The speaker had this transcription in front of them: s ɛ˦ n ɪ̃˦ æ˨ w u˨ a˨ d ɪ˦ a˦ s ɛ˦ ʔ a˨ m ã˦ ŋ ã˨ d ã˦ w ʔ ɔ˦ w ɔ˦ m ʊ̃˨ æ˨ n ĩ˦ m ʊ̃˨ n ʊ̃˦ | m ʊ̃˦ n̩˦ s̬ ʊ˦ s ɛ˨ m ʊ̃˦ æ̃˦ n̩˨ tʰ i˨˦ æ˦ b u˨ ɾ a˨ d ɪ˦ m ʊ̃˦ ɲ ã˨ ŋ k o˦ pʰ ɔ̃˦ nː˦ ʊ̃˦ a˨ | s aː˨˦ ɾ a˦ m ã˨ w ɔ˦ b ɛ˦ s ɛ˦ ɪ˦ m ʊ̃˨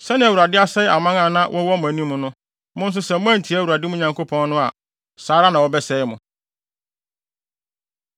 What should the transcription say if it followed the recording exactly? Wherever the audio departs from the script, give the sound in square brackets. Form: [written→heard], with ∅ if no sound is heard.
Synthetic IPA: s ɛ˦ n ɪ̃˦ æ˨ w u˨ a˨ d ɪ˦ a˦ s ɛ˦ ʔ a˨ m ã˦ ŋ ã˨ [d→n] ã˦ w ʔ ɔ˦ w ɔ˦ m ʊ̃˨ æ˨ n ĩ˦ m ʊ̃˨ n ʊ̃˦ | m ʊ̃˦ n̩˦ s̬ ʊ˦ s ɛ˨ m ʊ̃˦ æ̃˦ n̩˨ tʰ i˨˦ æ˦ [b→w] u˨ ɾ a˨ d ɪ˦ m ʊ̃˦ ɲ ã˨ ŋ k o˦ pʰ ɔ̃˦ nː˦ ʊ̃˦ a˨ | s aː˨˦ ɾ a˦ [m→n] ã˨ w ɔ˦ b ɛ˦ s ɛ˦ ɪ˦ m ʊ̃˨